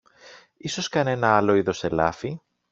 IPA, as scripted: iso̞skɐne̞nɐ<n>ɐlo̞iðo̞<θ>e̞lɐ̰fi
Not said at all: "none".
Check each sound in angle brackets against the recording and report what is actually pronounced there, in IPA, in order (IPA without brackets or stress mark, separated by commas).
none, s